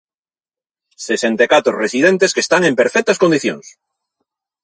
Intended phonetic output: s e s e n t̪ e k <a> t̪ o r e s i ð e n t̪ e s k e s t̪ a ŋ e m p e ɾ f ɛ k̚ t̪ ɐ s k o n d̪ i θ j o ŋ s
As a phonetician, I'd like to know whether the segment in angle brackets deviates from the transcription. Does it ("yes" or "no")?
no